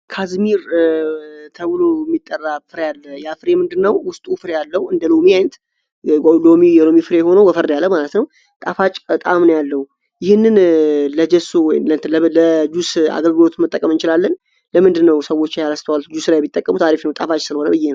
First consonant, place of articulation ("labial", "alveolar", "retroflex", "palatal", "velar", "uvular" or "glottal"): velar